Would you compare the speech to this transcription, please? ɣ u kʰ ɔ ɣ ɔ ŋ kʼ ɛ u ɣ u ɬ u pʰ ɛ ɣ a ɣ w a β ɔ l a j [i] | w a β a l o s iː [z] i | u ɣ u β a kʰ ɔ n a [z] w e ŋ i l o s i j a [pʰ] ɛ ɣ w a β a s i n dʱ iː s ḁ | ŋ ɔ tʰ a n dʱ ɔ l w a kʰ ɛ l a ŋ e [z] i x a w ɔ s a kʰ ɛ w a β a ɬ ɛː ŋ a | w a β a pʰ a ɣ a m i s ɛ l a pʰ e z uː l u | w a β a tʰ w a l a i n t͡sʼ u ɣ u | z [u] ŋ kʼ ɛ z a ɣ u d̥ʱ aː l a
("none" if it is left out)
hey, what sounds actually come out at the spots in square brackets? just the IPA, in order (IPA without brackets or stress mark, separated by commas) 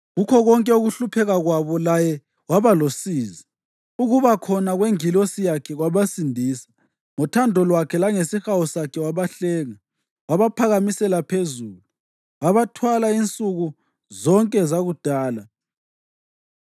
ɛ, z, ɣ, kʰ, s, ɔ